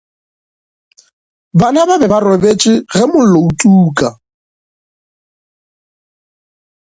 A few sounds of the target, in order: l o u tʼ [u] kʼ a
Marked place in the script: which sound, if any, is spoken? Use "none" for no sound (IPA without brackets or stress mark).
uː